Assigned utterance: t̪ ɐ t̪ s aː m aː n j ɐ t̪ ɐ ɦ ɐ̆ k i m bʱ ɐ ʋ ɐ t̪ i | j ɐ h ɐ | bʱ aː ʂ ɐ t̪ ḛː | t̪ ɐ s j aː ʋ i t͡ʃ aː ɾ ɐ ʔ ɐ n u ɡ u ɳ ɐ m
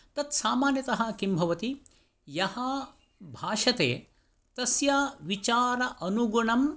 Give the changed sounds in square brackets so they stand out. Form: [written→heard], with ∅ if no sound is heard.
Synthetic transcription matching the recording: t̪ ɐ t̪ s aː m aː n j ɐ t̪ ɐ ɦ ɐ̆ k i m bʱ ɐ ʋ ɐ t̪ i | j ɐ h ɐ | bʱ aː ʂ ɐ t̪ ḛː | t̪ ɐ s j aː ʋ i t͡ʃ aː ɾ ɐ ʔ ɐ n u ɡ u ɳ ɐ m